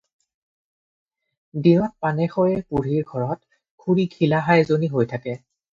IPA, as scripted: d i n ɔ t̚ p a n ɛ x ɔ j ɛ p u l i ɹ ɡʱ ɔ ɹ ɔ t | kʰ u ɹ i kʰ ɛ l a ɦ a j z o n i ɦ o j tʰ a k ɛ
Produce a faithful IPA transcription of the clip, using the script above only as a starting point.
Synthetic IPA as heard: d i n ɔ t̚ p a n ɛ x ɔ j ɛ p u ɹ i ɹ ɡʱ ɔ ɹ ɔ t | kʰ u ɹ i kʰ i l a ɦ a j z o n i ɦ o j tʰ a k ɛ